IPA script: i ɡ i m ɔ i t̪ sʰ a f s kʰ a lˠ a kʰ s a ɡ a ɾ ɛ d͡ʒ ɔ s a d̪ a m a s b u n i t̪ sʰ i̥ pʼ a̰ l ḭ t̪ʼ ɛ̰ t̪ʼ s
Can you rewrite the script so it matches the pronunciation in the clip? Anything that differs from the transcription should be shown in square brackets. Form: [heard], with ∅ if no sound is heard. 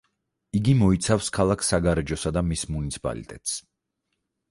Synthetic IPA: i ɡ i m ɔ i t̪ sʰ a f s kʰ a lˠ a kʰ s a ɡ a ɾ ɛ d͡ʒ ɔ s a d̪ a m [i] s [m] u n i t̪ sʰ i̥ pʼ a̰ l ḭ t̪ʼ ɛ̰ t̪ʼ s